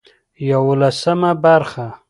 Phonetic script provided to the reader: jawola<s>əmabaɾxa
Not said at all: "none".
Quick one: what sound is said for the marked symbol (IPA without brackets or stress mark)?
s